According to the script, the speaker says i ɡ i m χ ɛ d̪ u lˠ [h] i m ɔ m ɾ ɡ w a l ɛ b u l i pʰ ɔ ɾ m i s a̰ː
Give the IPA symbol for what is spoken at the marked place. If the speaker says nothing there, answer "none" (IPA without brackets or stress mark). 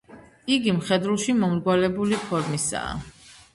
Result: ʃ